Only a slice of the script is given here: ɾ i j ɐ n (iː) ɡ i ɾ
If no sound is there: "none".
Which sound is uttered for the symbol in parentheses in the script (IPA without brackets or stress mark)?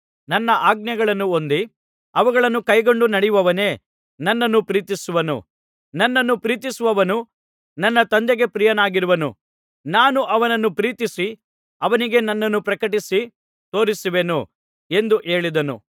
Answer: aː